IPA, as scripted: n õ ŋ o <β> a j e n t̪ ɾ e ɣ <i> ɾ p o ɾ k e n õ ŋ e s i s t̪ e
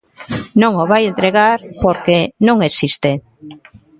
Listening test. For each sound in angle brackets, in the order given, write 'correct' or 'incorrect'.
correct, incorrect: a

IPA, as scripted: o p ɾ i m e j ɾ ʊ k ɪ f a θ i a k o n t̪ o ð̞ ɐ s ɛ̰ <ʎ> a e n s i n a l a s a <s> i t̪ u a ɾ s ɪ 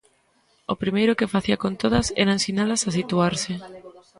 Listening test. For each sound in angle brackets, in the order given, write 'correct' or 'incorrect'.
incorrect: ɾ, correct

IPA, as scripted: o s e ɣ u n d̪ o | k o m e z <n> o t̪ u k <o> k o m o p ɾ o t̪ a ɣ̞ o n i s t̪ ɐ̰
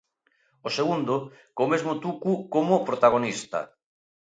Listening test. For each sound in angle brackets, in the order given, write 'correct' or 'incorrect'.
incorrect: m, incorrect: u

